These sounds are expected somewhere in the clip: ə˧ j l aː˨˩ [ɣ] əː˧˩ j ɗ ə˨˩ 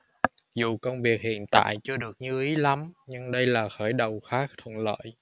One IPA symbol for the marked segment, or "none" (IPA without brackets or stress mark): x